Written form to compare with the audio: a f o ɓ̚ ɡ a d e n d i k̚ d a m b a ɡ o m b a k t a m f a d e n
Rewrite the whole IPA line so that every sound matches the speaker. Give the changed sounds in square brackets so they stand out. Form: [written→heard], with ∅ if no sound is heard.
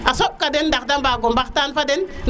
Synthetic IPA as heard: a [f→s] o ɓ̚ [ɡ→k] a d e n d [i→a] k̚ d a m b a ɡ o m b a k t a [m→n] f a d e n